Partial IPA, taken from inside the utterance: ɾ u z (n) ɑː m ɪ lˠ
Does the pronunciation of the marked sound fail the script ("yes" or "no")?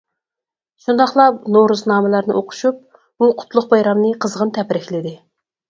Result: no